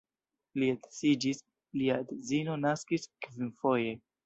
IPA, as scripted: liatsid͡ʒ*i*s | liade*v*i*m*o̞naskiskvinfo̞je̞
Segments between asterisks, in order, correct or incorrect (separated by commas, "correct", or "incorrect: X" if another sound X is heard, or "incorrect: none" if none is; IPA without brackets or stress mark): correct, incorrect: z, incorrect: n